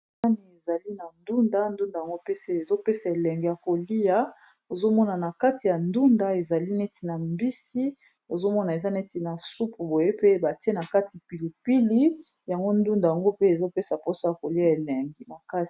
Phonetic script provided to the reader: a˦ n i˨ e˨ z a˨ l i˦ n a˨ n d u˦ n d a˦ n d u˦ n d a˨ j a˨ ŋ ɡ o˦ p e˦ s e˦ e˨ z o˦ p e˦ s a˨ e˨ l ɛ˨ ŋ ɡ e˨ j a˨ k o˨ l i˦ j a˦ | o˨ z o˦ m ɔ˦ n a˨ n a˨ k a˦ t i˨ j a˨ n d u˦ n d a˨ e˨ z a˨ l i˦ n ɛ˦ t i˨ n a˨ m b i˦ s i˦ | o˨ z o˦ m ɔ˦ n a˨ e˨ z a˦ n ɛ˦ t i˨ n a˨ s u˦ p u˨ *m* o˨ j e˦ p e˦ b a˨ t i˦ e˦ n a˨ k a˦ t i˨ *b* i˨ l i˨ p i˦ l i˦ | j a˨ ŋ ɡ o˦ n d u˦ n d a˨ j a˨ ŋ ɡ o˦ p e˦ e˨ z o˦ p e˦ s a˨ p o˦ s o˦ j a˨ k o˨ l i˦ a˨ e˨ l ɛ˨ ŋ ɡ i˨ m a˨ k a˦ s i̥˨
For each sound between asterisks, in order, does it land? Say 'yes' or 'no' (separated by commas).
no, no